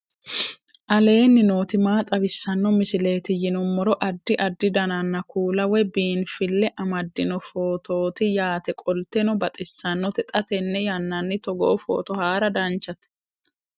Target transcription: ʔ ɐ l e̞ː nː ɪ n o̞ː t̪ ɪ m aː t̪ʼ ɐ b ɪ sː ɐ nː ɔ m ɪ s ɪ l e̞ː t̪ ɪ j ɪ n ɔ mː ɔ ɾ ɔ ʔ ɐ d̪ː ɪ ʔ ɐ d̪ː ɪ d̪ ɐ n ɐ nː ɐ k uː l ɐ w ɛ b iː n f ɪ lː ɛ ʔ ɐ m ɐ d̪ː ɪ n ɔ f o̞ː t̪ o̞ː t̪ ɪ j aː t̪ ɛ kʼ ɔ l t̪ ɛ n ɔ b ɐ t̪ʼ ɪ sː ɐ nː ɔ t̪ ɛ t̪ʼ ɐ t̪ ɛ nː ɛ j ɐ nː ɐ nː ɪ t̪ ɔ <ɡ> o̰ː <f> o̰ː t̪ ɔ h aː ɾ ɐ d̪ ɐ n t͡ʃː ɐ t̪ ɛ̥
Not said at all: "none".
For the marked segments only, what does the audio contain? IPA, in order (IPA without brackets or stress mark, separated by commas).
ɡ, f